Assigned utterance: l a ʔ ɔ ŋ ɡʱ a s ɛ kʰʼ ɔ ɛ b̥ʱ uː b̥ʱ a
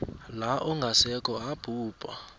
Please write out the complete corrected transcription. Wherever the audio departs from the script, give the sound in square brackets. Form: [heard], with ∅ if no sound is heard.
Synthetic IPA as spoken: l a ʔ ɔ ŋ ɡʱ a s ɛ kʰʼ ɔ [a] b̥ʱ uː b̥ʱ a